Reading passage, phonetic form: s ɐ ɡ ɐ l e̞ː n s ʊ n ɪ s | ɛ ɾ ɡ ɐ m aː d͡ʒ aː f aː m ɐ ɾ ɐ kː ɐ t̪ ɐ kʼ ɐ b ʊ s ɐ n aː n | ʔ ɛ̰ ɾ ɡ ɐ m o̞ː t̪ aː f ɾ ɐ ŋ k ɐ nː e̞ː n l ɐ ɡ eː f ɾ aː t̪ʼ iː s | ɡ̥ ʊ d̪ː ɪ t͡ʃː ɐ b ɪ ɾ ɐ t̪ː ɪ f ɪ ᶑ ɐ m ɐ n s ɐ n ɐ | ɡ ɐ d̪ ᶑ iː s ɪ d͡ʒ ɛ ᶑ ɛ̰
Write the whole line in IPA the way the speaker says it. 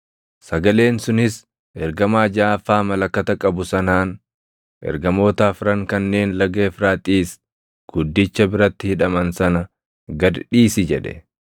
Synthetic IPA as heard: s ɐ ɡ ɐ l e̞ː n s ʊ n ɪ s | ɛ ɾ ɡ ɐ m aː d͡ʒ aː f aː m ɐ l ɐ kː ɐ t̪ ɐ kʼ ɐ b ʊ s ɐ n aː n | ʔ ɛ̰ ɾ ɡ ɐ m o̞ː t̪ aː f ɾ ɐ ŋ k ɐ nː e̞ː n l ɐ ɡ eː f ɾ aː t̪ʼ iː s | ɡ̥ ʊ d̪ː ɪ t͡ʃː ɐ b ɪ ɾ ɐ t̪ː ɪ h ɪ ᶑ ɐ m ɐ n s ɐ n ɐ | ɡ ɐ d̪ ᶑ iː s ɪ d͡ʒ ɛ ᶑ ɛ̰